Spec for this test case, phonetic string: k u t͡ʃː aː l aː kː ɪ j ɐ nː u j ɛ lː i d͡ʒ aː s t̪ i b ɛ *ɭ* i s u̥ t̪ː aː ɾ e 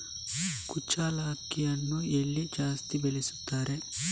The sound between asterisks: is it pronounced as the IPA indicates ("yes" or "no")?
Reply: no